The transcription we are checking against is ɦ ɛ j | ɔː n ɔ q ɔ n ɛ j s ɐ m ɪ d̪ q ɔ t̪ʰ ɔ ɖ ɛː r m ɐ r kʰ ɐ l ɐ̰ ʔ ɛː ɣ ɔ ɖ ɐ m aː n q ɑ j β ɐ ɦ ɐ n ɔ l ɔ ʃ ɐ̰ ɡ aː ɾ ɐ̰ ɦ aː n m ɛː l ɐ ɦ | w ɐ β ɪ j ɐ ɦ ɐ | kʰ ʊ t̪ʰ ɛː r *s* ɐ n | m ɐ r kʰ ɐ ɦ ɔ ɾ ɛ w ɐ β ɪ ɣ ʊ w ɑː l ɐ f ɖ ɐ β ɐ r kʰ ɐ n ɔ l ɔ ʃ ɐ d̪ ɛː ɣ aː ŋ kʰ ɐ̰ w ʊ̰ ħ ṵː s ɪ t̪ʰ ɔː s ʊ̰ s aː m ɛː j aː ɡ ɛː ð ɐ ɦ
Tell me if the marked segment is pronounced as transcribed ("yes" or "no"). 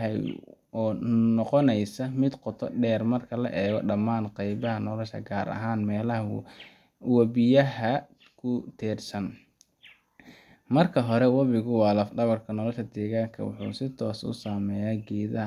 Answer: yes